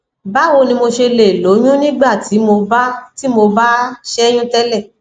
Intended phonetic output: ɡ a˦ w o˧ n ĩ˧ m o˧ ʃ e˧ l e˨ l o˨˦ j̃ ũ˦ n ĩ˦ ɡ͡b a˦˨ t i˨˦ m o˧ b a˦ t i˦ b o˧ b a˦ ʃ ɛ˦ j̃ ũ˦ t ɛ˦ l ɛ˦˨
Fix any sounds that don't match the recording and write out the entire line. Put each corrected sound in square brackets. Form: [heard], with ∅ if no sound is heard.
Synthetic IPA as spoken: [b] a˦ w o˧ n ĩ˧ m o˧ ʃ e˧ l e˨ l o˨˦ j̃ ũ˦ n ĩ˦ ɡ͡b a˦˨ t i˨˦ m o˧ b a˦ t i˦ [m] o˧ b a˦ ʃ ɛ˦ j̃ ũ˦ t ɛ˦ l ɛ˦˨